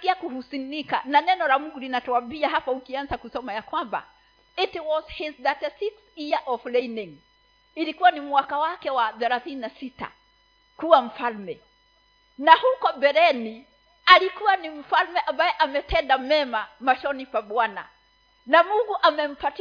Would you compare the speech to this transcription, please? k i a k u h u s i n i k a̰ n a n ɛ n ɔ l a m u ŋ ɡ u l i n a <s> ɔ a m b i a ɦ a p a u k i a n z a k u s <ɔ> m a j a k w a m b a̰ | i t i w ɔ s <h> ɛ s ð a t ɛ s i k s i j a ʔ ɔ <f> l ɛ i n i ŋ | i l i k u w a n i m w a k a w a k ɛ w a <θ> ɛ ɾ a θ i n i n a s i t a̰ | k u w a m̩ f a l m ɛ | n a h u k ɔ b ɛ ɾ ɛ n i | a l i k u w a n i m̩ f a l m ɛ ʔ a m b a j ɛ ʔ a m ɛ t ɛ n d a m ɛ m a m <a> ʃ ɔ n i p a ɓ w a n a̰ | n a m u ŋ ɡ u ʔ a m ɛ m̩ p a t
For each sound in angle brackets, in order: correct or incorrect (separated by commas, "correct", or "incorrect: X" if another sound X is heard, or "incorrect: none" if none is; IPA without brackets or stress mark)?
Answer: incorrect: t, correct, correct, correct, correct, correct